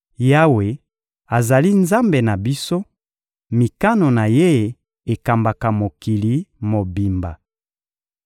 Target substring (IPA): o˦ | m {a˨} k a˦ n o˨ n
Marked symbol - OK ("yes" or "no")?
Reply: no